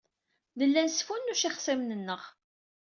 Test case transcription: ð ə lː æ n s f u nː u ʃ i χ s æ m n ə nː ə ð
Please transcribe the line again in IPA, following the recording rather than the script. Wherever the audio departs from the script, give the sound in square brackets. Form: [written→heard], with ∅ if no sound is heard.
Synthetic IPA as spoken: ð ə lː æ n s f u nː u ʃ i χ s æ m n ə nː ə [ð→ʁ]